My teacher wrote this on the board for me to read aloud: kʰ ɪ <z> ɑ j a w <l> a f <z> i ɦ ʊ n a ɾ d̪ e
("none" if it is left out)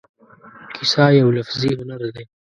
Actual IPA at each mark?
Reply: s, l, z

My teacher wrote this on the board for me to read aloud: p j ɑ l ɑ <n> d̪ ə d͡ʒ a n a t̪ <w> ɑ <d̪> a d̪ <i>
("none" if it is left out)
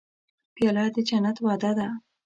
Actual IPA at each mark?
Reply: none, w, d̪, a

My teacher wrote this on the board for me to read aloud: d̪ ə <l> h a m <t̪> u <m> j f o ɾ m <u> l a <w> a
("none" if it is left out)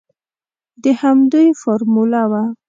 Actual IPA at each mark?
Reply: none, d̪, none, u, w

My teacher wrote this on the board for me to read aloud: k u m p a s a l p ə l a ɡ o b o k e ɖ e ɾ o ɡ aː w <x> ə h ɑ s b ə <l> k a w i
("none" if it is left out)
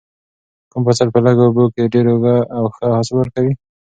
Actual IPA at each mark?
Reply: x, ɾ

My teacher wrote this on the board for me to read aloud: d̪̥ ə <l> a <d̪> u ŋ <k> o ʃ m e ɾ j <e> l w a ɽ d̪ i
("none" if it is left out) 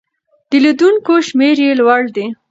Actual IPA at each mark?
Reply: l, d̪, k, e

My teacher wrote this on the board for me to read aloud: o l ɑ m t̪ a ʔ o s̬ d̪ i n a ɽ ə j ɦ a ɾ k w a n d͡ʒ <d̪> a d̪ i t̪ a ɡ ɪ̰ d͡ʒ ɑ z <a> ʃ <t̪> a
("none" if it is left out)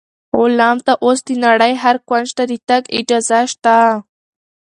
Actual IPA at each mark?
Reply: t̪, a, t̪

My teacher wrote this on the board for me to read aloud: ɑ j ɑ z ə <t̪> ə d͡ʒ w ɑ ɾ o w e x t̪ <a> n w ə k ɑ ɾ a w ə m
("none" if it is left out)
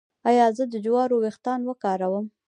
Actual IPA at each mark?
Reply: d̪, ɑ

